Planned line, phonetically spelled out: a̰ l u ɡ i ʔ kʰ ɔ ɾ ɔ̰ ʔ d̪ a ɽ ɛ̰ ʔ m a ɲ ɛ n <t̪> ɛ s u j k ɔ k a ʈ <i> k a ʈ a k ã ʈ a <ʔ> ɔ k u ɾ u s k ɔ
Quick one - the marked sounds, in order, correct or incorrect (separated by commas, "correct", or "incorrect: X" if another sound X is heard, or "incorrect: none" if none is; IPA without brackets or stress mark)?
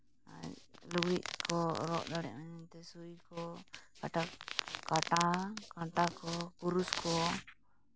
correct, incorrect: a, incorrect: k